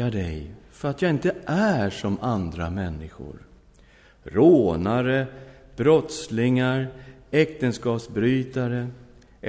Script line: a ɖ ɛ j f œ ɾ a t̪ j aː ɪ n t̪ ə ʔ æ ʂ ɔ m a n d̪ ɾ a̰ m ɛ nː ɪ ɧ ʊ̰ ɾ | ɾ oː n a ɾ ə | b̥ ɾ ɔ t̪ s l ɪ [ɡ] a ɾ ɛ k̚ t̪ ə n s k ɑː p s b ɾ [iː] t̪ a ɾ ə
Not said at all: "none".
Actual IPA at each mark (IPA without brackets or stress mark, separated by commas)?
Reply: ŋ, yː